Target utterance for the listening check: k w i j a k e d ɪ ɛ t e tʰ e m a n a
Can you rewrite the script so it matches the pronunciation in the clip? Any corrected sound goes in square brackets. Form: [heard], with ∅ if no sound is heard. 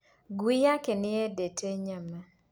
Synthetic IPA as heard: [ɡ] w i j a k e [n] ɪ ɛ [d] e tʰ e [ɲ] a [m] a

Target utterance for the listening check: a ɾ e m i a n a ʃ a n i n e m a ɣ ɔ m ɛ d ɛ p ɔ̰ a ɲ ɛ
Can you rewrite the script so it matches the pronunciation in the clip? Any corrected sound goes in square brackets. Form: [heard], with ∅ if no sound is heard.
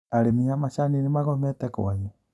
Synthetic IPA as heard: a ɾ e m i a [m] a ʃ a n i n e m a ɣ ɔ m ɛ [t] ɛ [k] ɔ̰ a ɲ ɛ

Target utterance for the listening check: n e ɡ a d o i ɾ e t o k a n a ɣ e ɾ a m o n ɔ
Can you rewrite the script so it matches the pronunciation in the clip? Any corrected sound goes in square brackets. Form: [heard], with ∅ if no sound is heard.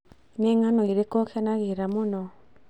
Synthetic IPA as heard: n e [ŋ] a [n] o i ɾ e [k] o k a n a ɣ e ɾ a m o n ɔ

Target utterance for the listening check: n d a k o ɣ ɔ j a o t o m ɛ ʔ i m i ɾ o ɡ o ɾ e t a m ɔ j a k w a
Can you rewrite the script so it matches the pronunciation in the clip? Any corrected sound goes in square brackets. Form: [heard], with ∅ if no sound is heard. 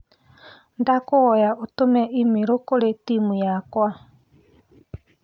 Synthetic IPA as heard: n d a k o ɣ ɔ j a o t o m ɛ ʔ i m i ɾ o [k] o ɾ e t [i] m [u] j a k w a

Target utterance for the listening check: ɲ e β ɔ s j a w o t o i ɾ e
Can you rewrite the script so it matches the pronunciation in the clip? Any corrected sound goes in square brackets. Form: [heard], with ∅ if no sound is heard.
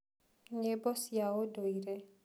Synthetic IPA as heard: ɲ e [b] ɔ s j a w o [d] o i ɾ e

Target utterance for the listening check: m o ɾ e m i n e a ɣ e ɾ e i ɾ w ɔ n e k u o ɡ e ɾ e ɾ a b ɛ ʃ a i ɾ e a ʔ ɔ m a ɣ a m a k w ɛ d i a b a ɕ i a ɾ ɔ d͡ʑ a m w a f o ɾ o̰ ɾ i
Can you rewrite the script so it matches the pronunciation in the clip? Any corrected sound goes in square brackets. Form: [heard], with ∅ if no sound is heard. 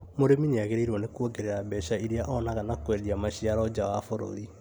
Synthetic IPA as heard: m o ɾ e m i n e a ɣ e ɾ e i ɾ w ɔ n e k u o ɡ e ɾ e ɾ a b ɛ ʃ a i ɾ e a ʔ ɔ [n] a ɣ a [n] a k w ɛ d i a [m] a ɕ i a ɾ ɔ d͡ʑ a [∅] w a f o ɾ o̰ ɾ i

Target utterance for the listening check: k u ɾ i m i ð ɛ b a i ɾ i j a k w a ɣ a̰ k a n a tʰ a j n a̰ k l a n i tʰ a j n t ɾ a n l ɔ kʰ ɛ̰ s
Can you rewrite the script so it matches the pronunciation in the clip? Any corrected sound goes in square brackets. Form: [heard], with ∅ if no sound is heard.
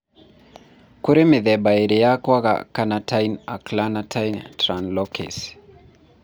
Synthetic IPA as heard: k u ɾ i m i ð ɛ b a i ɾ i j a k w a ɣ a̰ k a n a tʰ a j n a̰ k l a n [a] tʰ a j n t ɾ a n l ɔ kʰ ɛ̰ s

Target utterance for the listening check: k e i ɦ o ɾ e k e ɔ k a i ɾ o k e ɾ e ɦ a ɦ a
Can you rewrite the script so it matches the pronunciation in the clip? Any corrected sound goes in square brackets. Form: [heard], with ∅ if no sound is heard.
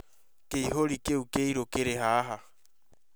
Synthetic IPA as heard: k e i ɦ o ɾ [i] k e [u] k [e] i ɾ o k e ɾ e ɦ a ɦ a

